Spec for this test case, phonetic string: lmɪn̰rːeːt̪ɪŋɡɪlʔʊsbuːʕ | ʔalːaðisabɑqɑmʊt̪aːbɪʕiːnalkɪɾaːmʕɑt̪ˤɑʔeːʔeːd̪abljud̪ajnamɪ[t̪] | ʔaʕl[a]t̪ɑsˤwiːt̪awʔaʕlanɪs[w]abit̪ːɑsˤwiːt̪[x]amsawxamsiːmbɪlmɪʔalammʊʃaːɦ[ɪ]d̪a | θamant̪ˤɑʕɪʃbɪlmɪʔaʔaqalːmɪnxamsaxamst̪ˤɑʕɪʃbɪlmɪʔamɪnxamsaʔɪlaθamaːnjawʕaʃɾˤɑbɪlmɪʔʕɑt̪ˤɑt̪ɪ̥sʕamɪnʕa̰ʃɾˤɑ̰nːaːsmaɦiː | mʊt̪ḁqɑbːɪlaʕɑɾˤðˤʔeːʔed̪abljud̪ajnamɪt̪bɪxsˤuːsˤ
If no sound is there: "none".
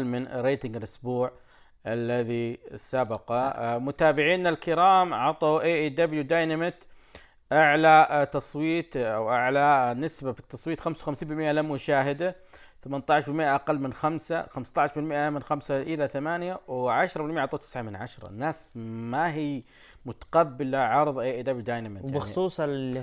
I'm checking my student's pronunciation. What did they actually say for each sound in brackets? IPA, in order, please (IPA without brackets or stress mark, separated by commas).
t̪, a, b, x, ɪ